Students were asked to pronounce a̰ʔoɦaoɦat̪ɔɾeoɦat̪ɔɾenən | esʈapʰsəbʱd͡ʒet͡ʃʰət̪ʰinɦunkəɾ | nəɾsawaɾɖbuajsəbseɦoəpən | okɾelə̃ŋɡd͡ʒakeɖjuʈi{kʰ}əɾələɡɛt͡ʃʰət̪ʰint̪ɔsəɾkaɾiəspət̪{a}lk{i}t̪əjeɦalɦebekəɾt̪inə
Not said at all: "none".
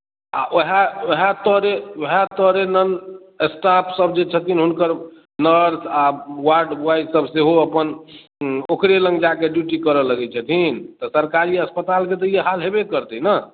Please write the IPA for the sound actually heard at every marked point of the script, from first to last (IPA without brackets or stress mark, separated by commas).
k, a, e